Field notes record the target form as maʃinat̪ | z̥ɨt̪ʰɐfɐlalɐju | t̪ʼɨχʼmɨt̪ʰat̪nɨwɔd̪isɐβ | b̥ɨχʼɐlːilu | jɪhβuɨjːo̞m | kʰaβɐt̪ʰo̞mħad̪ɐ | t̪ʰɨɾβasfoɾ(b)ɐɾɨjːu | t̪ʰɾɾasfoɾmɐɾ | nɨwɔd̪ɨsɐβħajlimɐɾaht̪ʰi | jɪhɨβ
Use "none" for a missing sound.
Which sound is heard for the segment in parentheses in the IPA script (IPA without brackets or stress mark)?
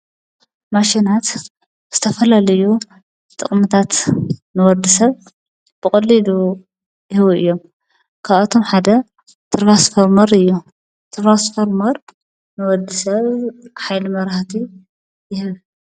m